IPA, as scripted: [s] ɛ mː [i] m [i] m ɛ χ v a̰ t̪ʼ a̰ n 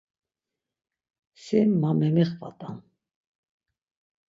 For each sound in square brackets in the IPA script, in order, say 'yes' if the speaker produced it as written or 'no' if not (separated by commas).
yes, no, no